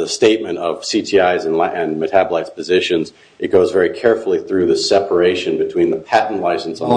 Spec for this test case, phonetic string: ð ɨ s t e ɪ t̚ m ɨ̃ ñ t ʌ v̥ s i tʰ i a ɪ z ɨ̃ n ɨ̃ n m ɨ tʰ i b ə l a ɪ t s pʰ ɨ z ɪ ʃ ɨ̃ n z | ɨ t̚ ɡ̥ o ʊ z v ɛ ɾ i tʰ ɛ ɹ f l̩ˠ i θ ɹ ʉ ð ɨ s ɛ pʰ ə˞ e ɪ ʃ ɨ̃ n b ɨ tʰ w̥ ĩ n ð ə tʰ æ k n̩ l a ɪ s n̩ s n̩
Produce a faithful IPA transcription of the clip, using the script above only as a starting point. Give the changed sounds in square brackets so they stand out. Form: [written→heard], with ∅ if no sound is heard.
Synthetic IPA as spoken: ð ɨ s t e ɪ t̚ m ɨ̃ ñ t ʌ v̥ s i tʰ i a ɪ z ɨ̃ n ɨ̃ n m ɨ tʰ [i→æ] b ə l a ɪ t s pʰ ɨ z ɪ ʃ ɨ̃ n z | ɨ t̚ ɡ̥ o ʊ z v ɛ [ɾ→ɹ] i [tʰ→kʰ] ɛ ɹ f l̩ˠ i θ ɹ ʉ ð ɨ s ɛ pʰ ə˞ e ɪ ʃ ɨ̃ n b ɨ tʰ w̥ ĩ n ð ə [tʰ→pʰ] æ [k→ʔ] n̩ l a ɪ s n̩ s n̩

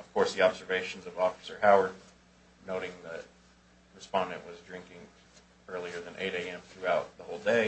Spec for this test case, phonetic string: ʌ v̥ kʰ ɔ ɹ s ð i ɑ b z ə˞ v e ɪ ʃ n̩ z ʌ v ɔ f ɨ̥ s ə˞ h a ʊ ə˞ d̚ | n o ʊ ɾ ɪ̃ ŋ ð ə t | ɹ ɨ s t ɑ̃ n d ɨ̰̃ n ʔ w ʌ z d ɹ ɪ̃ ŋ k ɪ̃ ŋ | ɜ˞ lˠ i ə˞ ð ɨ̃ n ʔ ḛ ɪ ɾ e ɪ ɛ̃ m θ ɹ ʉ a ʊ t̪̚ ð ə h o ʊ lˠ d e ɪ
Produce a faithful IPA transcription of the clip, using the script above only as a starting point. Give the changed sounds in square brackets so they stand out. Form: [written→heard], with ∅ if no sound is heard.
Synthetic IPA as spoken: ʌ v̥ kʰ ɔ ɹ s ð i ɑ b z ə˞ v e ɪ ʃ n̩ z ʌ v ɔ f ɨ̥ s ə˞ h a ʊ ə˞ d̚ | n o ʊ ɾ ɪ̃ ŋ ð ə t | ɹ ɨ s [t→p] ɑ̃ n d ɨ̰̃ n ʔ w ʌ z d ɹ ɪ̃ ŋ k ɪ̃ ŋ | ɜ˞ lˠ i ə˞ ð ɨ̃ n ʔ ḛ ɪ ɾ e ɪ ɛ̃ m θ ɹ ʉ a ʊ t̪̚ ð ə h o ʊ lˠ d e ɪ

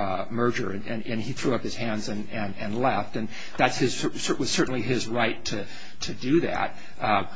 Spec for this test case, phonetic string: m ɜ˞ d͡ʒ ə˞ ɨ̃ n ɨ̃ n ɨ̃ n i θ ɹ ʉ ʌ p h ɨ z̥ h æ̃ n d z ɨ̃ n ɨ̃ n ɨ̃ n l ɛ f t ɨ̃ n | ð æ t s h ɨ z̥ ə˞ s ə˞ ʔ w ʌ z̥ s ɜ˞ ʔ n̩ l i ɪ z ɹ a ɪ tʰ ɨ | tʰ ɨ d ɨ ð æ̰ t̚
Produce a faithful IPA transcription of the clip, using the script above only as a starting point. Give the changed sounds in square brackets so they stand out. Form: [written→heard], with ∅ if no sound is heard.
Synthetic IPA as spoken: m ɜ˞ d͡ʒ ə˞ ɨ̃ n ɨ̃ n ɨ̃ n i θ ɹ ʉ ʌ p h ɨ z̥ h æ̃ n d z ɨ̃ n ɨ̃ n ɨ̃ n l ɛ f t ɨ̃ n | ð æ t s h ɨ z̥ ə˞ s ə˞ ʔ w ʌ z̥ s ɜ˞ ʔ n̩ l i ɪ z ɹ a ɪ tʰ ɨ | tʰ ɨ d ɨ ð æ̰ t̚

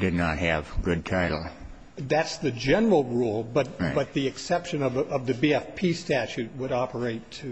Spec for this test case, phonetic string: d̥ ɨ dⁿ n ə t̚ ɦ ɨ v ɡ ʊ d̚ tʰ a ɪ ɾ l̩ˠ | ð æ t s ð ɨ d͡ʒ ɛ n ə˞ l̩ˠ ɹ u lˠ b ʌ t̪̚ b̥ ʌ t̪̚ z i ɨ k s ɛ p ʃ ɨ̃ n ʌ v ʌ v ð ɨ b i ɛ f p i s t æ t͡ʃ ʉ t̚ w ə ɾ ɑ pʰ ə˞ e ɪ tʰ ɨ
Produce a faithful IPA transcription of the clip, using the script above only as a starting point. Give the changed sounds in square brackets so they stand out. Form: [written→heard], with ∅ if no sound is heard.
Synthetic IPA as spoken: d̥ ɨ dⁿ n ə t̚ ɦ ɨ v ɡ ʊ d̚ tʰ a ɪ ɾ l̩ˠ | ð æ t s ð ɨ d͡ʒ ɛ n ə˞ l̩ˠ ɹ u lˠ b ʌ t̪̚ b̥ ʌ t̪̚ [z→ð] i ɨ k s ɛ p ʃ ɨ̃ n ʌ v ʌ v ð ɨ b i ɛ f [p→pʰ] i s t æ t͡ʃ ʉ t̚ w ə ɾ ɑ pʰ ə˞ e ɪ tʰ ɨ

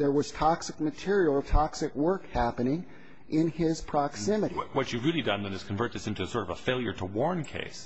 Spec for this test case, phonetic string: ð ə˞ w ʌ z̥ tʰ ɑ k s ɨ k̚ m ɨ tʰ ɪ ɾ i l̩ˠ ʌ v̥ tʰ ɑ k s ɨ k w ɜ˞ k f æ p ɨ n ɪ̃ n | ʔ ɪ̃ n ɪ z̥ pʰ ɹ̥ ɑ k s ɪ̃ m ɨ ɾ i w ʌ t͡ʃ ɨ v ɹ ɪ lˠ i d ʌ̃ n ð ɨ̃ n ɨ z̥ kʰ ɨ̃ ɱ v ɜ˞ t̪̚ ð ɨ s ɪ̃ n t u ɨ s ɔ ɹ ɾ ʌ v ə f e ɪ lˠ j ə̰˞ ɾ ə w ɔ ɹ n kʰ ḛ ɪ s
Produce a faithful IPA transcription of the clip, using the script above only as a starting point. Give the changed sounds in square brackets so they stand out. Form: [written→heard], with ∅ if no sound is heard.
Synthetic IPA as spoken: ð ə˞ w ʌ z̥ tʰ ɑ k s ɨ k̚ m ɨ tʰ ɪ [ɾ→ɹ] i l̩ˠ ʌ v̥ tʰ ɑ k s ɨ k w ɜ˞ k [f→h] æ p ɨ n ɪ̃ [n→ŋ] | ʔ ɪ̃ n ɪ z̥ pʰ ɹ̥ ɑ k s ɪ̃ m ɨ ɾ i w ʌ t͡ʃ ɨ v ɹ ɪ lˠ i d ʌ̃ n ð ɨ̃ n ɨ z̥ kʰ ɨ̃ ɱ v ɜ˞ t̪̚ ð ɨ s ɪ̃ n t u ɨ s ɔ ɹ ɾ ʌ v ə f e ɪ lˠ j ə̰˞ ɾ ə w ɔ ɹ n kʰ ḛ ɪ s

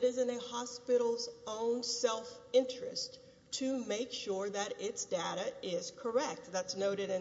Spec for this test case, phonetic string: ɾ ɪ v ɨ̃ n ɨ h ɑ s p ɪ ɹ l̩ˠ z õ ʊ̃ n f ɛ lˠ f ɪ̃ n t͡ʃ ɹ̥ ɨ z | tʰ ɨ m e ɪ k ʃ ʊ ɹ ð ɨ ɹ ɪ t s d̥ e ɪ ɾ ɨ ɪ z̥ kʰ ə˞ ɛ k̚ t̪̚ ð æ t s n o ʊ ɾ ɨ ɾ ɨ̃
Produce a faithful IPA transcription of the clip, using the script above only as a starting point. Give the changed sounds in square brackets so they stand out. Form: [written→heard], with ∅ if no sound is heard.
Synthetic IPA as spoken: ɾ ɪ [v→z] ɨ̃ n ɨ h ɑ s p ɪ [ɹ→ɾ] l̩ˠ z õ ʊ̃ n [f→s] ɛ lˠ f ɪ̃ n t͡ʃ ɹ̥ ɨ [z→s] | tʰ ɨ m e ɪ k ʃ ʊ ɹ ð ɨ [ɹ→ɾ] ɪ t s d̥ e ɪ ɾ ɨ ɪ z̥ kʰ ə˞ ɛ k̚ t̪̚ ð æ t s n o ʊ ɾ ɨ ɾ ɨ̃

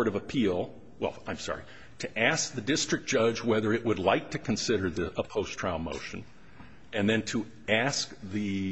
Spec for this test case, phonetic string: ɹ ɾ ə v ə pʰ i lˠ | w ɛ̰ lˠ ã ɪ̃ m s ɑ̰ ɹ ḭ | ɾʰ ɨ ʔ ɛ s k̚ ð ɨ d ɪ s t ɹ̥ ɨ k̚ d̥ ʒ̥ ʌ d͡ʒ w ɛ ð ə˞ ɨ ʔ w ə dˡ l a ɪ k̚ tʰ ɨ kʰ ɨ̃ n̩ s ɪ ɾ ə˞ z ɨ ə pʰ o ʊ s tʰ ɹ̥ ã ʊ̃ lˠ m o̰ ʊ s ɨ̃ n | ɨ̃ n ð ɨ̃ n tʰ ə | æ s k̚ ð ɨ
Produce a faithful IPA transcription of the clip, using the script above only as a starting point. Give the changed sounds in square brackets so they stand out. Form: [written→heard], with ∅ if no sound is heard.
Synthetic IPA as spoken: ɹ ɾ [ə→ʌ] v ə pʰ i lˠ | w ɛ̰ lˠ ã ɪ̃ m s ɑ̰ ɹ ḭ | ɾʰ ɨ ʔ [ɛ→æ] s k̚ ð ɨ d ɪ s t ɹ̥ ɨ k̚ d̥ ʒ̥ ʌ d͡ʒ w ɛ ð ə˞ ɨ ʔ w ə dˡ l a ɪ k̚ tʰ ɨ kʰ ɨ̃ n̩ s ɪ ɾ ə˞ [z→ð] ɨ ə pʰ o ʊ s tʰ ɹ̥ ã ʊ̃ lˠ m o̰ ʊ [s→ʃ] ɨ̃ n | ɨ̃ n ð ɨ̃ n tʰ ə | æ s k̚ ð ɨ

